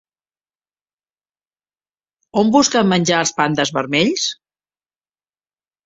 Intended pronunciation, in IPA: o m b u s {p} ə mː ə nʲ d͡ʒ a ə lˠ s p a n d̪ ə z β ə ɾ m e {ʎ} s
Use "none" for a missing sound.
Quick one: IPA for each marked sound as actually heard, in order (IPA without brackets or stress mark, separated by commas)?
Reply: k, ʎ